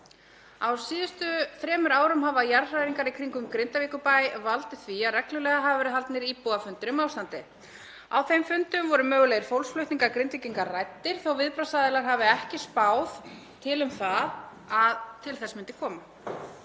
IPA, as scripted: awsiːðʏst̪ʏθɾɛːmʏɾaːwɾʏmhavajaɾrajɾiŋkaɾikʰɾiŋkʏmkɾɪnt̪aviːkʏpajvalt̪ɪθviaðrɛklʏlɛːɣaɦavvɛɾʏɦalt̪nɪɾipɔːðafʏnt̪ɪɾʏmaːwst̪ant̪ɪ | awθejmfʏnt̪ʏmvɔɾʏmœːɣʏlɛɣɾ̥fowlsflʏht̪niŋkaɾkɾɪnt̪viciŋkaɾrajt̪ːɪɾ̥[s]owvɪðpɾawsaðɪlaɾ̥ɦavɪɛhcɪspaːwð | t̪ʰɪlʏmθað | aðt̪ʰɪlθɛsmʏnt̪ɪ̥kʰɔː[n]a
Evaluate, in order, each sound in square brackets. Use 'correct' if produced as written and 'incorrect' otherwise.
incorrect, incorrect

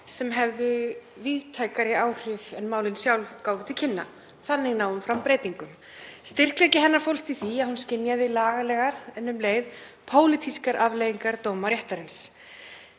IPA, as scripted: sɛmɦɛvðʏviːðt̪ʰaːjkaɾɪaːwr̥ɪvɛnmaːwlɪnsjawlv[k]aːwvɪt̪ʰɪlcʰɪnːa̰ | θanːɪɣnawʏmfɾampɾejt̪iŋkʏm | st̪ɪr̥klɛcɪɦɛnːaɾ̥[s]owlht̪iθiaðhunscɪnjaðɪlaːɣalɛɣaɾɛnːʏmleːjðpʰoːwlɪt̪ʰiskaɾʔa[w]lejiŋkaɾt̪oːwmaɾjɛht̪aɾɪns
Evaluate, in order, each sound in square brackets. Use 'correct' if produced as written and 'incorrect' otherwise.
correct, incorrect, incorrect

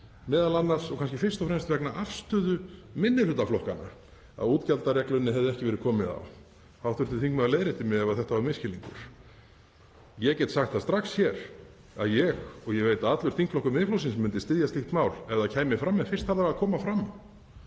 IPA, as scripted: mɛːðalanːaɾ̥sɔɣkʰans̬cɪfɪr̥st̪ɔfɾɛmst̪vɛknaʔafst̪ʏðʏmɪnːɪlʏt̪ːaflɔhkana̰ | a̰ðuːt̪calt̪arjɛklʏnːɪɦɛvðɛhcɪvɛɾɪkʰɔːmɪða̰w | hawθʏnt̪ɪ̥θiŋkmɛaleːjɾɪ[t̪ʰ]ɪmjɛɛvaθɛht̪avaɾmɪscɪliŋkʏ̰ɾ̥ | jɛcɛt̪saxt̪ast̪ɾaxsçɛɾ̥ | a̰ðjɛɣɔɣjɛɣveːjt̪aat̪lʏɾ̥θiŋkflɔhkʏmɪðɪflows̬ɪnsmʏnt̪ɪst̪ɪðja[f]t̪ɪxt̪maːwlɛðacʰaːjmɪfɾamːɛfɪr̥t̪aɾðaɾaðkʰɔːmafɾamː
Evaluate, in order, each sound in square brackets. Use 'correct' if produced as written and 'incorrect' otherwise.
incorrect, incorrect

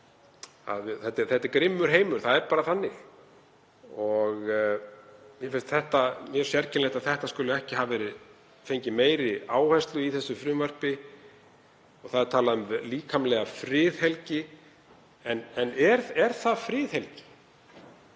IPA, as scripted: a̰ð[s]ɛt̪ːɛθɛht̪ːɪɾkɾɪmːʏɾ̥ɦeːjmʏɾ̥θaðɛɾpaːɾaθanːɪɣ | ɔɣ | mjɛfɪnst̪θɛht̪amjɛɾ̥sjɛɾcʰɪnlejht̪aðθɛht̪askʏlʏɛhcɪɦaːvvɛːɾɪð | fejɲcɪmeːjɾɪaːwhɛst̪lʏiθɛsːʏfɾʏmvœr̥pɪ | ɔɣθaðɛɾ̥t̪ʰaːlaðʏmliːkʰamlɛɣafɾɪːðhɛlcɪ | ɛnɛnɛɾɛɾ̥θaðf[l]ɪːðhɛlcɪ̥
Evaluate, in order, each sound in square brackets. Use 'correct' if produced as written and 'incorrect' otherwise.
incorrect, incorrect

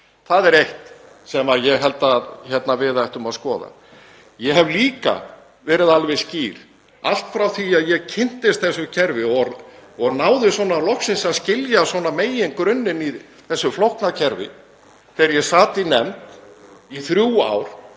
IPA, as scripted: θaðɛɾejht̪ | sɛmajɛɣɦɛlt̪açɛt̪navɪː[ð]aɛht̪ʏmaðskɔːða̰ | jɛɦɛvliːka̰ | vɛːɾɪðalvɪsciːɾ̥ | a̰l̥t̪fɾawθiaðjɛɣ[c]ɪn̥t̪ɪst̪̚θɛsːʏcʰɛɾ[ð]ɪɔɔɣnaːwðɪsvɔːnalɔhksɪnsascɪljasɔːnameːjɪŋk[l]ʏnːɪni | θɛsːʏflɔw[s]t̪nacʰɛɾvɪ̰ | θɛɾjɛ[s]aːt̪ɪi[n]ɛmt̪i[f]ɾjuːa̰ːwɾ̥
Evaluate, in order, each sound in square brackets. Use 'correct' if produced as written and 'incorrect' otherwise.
correct, incorrect, incorrect, incorrect, incorrect, correct, correct, incorrect

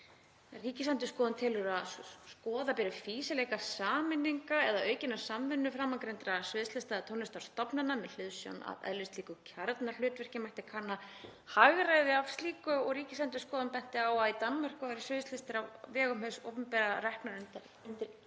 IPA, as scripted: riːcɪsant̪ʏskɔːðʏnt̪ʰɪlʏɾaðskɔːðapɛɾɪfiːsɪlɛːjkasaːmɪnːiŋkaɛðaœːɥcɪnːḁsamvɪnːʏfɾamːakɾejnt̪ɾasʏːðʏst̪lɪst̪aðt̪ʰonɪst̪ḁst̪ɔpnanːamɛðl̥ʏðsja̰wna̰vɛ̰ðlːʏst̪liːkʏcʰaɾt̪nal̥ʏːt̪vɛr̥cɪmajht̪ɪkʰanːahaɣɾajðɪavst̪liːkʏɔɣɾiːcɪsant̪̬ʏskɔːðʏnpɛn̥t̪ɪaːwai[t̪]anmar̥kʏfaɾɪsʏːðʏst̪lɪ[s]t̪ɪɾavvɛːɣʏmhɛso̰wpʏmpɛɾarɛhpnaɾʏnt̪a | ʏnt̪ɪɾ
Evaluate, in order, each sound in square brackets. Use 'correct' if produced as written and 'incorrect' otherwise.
correct, correct

